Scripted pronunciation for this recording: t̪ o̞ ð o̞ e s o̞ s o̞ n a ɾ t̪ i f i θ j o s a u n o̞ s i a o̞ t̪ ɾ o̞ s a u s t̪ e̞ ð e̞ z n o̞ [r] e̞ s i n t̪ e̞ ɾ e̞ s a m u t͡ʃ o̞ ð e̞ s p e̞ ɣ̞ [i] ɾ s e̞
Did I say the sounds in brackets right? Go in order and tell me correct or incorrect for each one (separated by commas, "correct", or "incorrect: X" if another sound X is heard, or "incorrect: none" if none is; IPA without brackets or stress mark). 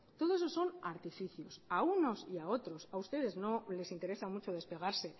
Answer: incorrect: l, incorrect: a